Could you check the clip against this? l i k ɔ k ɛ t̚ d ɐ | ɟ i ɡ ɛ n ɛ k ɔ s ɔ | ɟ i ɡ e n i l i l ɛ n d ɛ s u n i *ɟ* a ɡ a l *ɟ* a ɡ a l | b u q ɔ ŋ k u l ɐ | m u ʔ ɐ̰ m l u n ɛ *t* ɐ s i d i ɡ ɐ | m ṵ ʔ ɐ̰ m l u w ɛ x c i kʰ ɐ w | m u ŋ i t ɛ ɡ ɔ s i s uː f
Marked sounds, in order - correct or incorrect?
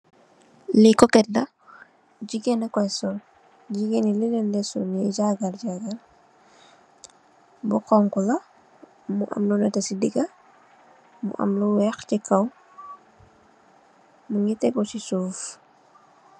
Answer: correct, correct, correct

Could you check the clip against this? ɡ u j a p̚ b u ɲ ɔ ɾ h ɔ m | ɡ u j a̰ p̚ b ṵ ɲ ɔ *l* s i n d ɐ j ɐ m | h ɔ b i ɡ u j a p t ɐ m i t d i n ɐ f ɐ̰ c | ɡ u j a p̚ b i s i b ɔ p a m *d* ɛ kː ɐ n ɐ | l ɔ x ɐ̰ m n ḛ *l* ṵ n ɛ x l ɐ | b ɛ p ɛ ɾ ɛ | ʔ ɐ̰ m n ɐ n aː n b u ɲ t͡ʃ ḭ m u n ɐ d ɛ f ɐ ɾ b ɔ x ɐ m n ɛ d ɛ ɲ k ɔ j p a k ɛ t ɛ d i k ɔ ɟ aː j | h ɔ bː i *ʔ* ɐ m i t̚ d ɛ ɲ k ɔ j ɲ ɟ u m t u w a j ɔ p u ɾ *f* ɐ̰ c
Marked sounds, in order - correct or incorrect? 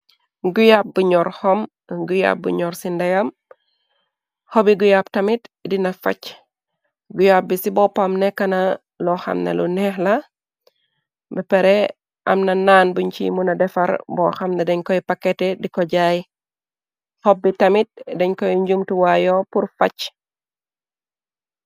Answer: incorrect, incorrect, correct, incorrect, correct

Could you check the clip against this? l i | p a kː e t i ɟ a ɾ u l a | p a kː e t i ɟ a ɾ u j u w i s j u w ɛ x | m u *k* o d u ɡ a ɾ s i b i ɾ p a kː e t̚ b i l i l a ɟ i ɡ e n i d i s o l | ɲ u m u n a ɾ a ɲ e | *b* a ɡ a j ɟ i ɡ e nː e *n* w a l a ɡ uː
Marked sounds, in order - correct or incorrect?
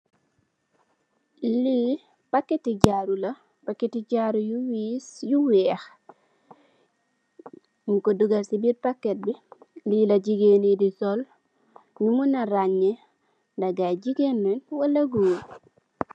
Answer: correct, incorrect, correct

